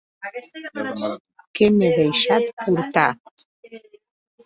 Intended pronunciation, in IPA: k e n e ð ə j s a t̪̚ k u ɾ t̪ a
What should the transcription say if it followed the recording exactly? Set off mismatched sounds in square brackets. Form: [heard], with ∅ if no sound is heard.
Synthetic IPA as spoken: k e [m] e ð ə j [ʃ] a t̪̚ [p] u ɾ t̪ a

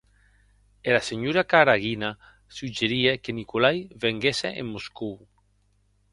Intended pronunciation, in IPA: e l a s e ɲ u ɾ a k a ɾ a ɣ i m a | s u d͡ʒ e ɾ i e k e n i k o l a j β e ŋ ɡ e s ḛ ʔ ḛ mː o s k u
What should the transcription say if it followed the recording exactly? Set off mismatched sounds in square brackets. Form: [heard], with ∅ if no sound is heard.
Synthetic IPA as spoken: e l a s e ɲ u ɾ a k a ɾ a ɣ i [n] a | s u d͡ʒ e ɾ i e k e n i k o l a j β e ŋ ɡ e s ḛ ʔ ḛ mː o s k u

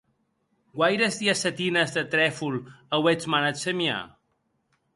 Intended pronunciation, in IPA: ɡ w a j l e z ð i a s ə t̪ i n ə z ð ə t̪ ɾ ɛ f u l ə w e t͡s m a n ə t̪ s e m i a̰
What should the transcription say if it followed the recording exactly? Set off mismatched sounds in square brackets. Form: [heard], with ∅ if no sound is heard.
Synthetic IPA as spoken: ɡ w a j [ɾ] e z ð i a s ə t̪ i n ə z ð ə t̪ ɾ ɛ f u l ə w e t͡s m a n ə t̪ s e m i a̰

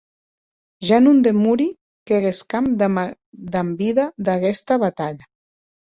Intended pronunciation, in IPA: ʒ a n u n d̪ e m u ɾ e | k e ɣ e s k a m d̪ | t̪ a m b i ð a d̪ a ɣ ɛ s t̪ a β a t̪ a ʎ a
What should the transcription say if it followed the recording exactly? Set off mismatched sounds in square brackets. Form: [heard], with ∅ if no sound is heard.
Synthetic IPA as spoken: ʒ a n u n d̪ e m u ɾ [i] | k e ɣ e s k a m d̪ | [d̪] a m b i ð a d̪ a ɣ ɛ s t̪ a β a t̪ a ʎ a

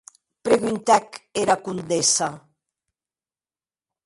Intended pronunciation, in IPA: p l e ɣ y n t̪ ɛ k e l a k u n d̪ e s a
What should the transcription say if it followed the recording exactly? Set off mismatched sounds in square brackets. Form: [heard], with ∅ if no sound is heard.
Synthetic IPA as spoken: p [ɾ] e ɣ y n t̪ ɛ k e [ɾ] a k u n d̪ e s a

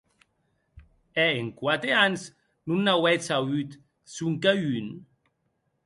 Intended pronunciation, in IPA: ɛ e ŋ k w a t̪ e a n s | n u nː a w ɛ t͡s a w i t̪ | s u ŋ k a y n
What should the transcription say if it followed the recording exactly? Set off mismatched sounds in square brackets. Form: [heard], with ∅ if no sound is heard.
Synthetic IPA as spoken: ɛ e ŋ k w a t̪ e a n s | n u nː a w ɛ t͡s a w [y] t̪ | s u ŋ k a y n

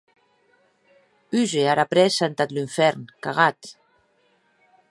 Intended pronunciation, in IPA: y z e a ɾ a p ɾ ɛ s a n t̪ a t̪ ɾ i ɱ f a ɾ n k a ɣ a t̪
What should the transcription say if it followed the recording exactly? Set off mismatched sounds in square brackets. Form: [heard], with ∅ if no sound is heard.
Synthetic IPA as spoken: y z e a ɾ a p ɾ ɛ s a n t̪ a t̪ [l] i ɱ f [ɛ] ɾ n k a ɣ a t̪

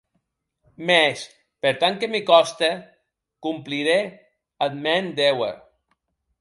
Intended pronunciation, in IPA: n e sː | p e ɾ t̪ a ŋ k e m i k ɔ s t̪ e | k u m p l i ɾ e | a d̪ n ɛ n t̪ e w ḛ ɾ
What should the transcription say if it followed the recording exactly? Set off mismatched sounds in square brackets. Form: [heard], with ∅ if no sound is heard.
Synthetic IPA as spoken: [m] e [s] | p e ɾ t̪ a ŋ k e m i k ɔ s t̪ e | k u m p l i ɾ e | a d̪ [m] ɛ n [d̪] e w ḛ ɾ

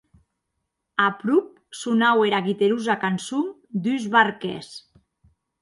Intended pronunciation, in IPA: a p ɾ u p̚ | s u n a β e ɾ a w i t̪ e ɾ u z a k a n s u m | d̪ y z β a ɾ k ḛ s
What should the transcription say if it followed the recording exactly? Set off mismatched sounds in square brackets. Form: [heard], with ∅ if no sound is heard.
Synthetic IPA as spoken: a p ɾ u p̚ | s u n a [w] e ɾ a [ɣ] i t̪ e ɾ u z a k a n s u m | d̪ y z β a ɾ k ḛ s

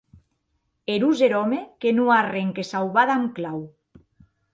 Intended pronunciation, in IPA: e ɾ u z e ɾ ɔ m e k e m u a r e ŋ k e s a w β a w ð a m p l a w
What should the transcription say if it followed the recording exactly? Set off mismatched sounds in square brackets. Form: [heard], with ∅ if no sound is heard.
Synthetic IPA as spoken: e ɾ u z e ɾ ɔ m e k e [n] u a r e ŋ k e s a w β a [∅] ð a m [k] l a w

